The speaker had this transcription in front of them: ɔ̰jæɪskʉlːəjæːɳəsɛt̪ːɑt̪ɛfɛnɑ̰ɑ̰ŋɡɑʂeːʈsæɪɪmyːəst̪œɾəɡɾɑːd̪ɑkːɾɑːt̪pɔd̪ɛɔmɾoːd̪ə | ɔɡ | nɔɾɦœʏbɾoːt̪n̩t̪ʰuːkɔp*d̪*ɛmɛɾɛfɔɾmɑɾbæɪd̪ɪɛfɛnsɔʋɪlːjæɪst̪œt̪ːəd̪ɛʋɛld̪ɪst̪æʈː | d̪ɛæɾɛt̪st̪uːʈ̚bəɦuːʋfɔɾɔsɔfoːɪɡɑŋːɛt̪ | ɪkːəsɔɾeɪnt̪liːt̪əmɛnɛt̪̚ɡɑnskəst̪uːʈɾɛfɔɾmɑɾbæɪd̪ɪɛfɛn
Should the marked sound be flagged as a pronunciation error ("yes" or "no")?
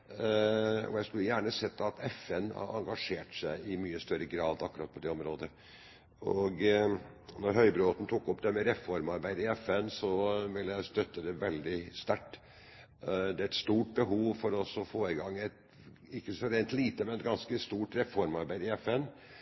no